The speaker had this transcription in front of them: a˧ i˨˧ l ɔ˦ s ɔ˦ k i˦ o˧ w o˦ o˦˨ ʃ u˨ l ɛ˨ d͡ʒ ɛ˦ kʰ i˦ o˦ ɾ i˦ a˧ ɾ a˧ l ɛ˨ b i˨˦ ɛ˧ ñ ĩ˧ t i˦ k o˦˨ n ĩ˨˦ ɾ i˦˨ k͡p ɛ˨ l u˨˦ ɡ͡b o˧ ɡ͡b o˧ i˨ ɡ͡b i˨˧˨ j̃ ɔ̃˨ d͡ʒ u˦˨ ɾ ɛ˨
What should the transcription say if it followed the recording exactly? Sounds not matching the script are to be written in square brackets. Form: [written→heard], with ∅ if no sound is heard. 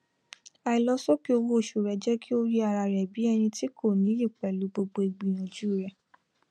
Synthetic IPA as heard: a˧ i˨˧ l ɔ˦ s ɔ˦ k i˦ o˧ w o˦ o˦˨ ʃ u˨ [l→ɾ] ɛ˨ d͡ʒ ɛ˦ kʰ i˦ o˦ ɾ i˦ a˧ ɾ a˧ [l→ɾ] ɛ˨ b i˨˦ ɛ˧ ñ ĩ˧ t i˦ k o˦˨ n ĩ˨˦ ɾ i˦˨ k͡p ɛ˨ l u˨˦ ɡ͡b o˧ ɡ͡b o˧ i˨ ɡ͡b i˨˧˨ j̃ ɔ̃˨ d͡ʒ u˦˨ ɾ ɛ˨